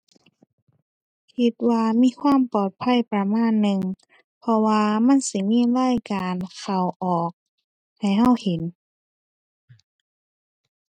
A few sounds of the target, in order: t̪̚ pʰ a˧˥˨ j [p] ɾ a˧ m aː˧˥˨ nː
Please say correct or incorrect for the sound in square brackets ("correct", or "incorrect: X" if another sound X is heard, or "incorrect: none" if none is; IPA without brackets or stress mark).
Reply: correct